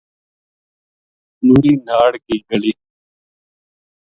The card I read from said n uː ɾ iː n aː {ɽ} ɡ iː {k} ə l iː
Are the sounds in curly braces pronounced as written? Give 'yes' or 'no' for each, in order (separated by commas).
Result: yes, no